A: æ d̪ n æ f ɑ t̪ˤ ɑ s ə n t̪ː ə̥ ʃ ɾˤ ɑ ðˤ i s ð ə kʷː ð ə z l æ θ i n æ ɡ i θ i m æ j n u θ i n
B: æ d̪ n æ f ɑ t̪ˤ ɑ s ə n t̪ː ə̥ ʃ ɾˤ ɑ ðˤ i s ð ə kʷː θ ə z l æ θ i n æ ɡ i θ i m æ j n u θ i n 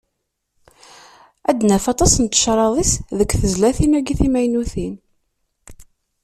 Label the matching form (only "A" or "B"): B